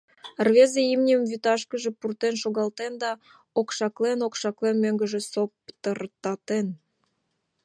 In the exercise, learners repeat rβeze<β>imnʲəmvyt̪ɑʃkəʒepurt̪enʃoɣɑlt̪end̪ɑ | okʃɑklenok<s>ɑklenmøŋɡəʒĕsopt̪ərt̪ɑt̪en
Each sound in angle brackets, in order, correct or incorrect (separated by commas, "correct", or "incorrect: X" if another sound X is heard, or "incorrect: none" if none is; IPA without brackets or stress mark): incorrect: none, incorrect: ʃ